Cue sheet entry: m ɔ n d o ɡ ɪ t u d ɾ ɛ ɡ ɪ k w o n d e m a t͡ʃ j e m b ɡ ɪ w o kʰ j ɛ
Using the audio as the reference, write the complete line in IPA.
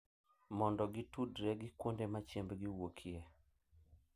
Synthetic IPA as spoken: m ɔ n d ɔ ɡ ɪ t u d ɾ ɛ ɡ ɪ k w o n d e m a t͡ʃ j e m b ɡ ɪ w o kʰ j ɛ